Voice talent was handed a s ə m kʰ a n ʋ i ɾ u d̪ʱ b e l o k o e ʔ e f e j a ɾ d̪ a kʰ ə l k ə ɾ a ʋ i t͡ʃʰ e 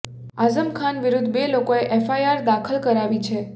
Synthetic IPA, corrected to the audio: a z ə m kʰ a n ʋ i ɾ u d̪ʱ b e l o k o e ʔ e f a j a ɾ d̪ a kʰ ə l k ə ɾ a ʋ i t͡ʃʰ e

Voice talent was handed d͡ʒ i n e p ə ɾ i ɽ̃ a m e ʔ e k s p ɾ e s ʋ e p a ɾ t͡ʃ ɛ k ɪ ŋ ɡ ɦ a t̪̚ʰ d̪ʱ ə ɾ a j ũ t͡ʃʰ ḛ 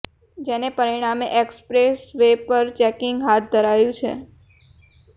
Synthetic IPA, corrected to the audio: d͡ʒ e n e p ə ɾ i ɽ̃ a m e ʔ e k s p ɾ e s ʋ e p ə ɾ t͡ʃ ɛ k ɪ ŋ ɡ ɦ a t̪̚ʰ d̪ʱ ə ɾ a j ũ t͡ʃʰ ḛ

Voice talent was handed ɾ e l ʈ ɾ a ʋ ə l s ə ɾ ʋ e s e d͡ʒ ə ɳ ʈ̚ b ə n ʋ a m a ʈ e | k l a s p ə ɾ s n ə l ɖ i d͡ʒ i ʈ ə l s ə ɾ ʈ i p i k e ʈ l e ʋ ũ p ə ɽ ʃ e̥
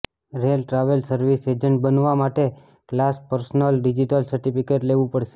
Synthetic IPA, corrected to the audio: ɾ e l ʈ ɾ a ʋ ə l s ə ɾ ʋ i s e d͡ʒ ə ɳ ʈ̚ b ə n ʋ a m a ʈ e | k l a s p ə ɾ s n ə l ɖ i d͡ʒ i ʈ ə l s ə ɾ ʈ i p i k e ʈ l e ʋ ũ p ə ɽ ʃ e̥

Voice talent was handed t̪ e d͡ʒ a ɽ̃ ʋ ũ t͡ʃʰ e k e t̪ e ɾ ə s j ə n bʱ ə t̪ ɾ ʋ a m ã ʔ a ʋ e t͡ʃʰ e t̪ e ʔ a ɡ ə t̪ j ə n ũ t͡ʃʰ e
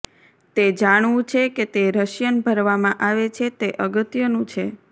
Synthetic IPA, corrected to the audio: t̪ e d͡ʒ a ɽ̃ ʋ ũ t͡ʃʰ e k e t̪ e ɾ ə ʃ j ə n bʱ ə ɾ ʋ a m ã ʔ a ʋ e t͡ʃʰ e t̪ e ʔ ə ɡ ə t̪ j ə n ũ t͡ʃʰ e

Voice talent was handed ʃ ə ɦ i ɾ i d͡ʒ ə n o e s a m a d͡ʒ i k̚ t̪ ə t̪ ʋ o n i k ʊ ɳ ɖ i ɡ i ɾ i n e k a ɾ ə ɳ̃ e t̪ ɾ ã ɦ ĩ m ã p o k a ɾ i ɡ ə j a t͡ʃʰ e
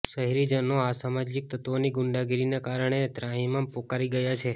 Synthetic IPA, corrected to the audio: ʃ ə ɦ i ɾ i d͡ʒ ə n o a s a m a d͡ʒ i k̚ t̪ ə t̪ ʋ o n i ɡ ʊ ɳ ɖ a ɡ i ɾ i n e k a ɾ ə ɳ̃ e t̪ ɾ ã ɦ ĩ m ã p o k a ɾ i ɡ ə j a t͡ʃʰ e

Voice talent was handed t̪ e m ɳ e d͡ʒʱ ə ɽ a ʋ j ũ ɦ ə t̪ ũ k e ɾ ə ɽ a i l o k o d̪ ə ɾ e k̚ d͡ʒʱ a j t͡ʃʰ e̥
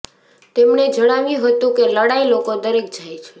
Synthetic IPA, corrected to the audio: t̪ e m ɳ e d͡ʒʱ ə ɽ a ʋ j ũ ɦ ə t̪ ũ k e l ə ɽ a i l o k o d̪ ə ɾ e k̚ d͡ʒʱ a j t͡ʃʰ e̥

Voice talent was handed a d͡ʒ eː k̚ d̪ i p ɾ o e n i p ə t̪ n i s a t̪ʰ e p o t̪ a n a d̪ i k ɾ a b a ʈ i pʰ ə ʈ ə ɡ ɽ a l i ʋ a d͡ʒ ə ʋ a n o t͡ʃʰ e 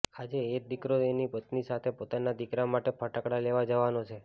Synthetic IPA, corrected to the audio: a d͡ʒ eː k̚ d̪ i k ɾ o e n i p ə t̪ n i s a t̪ʰ e p o t̪ a n a d̪ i k ɾ a m a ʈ e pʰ ə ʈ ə k ɽ a l e ʋ a d͡ʒ ə ʋ a n o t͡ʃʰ e

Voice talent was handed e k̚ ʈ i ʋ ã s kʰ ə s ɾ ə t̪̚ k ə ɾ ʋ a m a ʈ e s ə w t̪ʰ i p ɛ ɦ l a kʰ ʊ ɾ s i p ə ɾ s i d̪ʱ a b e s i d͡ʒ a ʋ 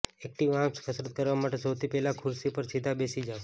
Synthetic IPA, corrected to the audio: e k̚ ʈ i ʋ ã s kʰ ə s ɾ ə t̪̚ k ə ɾ ʋ a m a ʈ e s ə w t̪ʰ i p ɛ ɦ l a kʰ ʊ ɾ s i p ə ɾ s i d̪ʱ a b e s i d͡ʒ a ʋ

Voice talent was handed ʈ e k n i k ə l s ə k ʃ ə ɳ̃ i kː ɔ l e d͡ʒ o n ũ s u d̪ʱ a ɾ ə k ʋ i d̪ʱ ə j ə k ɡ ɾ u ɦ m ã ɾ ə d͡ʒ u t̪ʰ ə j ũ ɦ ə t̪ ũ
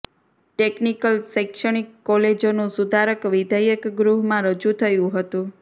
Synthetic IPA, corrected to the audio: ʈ e k n i k ə l s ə k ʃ ə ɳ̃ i kː ɔ l e d͡ʒ o n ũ s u d̪ʱ a ɾ ə k ʋ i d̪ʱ ə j ə k ɡ ɾ u ɦ m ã ɾ ə d͡ʒ u t̪ʰ ə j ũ ɦ ə t̪ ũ

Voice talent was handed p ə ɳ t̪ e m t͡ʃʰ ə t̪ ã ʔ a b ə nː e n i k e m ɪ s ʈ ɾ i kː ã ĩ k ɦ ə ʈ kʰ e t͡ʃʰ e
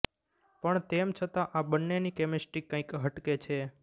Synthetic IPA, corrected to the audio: p ə ɳ t̪ e m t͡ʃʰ ə t̪ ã ʔ a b ə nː e n i k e m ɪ s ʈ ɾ i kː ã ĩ k ɦ ə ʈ k e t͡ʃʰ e

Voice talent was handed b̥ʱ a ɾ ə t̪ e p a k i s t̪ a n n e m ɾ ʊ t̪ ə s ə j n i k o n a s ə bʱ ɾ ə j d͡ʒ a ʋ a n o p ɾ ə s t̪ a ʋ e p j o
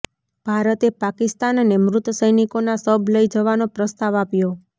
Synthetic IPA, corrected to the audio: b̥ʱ a ɾ ə t̪ e p a k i s t̪ a n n e m ɾ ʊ t̪ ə s ə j n i k o n a s ə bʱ l ə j d͡ʒ ə ʋ a n o p ɾ ə s t̪ a ʋ a p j o

